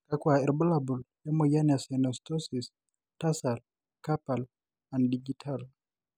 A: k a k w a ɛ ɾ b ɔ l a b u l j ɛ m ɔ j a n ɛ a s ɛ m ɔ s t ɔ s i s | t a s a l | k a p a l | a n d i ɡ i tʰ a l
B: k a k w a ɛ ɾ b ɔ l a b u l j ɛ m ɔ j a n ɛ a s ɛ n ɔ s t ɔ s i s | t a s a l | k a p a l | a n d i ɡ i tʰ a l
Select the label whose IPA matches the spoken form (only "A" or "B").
B